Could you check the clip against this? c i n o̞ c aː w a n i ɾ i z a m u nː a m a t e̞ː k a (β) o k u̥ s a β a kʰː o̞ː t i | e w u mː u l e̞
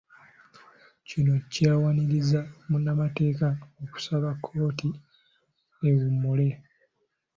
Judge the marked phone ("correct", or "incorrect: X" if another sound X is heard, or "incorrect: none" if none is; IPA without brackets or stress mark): incorrect: none